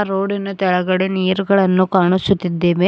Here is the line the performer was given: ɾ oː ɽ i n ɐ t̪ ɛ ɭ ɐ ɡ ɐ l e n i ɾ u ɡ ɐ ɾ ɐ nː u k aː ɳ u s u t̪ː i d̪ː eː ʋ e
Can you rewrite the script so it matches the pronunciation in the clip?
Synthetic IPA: ɾ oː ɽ i n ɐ t̪ ɛ ɭ ɐ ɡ ɐ ɽ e n iː ɾ u ɡ ɐ ɭ ɐ nː u k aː ɳ u s u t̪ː i d̪ː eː ʋ e